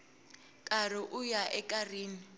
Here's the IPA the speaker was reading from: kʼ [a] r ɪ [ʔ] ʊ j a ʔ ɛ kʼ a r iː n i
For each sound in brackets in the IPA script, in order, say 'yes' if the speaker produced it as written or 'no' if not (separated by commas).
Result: yes, yes